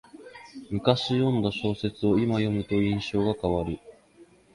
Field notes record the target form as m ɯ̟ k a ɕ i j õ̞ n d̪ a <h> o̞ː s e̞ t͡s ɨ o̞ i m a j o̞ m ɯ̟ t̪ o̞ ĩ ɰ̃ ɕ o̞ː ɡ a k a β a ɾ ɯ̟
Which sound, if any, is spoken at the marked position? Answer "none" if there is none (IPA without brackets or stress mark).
ɕ